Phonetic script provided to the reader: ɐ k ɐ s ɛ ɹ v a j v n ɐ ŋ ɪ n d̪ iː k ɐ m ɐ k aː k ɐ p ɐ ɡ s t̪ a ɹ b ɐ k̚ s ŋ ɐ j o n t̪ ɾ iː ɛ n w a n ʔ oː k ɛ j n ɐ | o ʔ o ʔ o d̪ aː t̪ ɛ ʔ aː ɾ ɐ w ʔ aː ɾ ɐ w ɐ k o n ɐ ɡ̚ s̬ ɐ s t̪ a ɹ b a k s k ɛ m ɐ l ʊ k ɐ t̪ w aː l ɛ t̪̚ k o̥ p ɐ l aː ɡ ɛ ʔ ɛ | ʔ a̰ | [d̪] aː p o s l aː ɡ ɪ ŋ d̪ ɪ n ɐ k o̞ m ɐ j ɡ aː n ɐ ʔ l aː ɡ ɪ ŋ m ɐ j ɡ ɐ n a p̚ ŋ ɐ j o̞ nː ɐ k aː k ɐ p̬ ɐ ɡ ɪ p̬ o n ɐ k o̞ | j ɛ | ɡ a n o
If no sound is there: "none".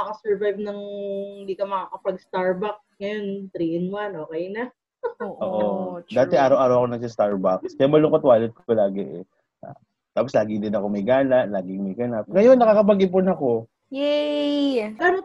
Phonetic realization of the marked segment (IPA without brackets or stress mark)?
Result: t̪